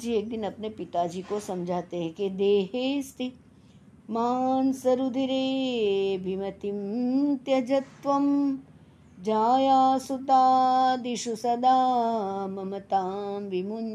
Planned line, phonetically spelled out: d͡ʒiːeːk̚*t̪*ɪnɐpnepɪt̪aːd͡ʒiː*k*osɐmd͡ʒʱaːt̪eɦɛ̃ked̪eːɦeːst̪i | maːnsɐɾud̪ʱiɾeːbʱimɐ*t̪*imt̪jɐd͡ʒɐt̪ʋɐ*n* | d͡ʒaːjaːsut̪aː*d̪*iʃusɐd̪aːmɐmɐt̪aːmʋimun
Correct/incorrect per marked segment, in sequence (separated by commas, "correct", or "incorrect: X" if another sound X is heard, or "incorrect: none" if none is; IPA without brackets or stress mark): incorrect: d̪, correct, correct, incorrect: m, correct